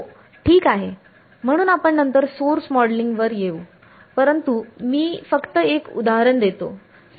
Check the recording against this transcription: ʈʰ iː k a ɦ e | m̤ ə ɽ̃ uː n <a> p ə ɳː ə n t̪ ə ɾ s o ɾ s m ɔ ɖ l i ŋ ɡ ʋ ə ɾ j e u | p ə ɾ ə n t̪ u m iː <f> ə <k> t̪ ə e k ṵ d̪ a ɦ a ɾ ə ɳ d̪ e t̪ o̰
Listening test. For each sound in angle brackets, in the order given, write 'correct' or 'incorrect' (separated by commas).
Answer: correct, correct, correct